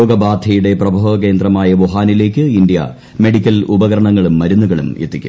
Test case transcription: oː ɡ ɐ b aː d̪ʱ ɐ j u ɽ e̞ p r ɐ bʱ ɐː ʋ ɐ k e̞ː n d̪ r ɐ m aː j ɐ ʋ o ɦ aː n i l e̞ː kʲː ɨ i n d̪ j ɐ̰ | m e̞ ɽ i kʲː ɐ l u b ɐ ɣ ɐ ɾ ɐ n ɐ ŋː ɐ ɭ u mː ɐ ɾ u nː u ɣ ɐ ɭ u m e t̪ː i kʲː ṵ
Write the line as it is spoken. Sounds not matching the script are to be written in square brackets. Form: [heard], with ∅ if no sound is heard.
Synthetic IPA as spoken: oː ɡ ɐ b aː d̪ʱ ɐ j u ɽ e̞ p r ɐ bʱ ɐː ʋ ɐ k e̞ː n d̪ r ɐ m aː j ɐ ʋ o ɦ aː n i l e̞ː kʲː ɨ i n d̪ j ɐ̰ | m e̞ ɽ i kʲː ɐ l u b ɐ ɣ ɐ ɾ ɐ [ɳ] ɐ ŋː ɐ ɭ u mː ɐ ɾ u nː u ɣ ɐ ɭ u m e t̪ː i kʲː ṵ